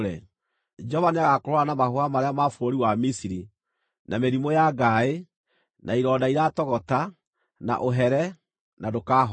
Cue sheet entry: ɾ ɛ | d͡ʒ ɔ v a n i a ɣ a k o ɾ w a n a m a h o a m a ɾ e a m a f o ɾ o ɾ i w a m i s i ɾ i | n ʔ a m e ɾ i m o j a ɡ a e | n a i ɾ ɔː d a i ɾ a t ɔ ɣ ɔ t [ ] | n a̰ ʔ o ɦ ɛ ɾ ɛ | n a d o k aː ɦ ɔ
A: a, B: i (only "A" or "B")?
A